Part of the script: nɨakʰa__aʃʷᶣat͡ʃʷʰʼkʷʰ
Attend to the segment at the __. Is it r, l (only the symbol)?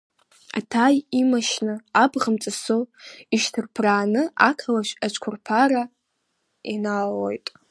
l